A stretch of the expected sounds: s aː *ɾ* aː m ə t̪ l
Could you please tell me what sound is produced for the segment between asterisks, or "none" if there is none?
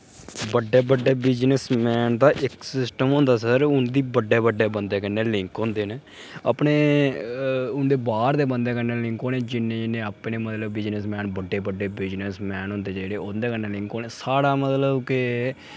ɽ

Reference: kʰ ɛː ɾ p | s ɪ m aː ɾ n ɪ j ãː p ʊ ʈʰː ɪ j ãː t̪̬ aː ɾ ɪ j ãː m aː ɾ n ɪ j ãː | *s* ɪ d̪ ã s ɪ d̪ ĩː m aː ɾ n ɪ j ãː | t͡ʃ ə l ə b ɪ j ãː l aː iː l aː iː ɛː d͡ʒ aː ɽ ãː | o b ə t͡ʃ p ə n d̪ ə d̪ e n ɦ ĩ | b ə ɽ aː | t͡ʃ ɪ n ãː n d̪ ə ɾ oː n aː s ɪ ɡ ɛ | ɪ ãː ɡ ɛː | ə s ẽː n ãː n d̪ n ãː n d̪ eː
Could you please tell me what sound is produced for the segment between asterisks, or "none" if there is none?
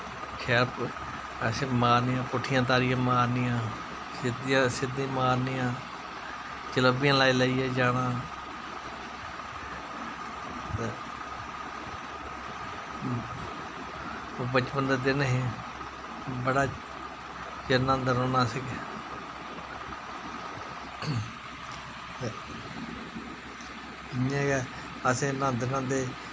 s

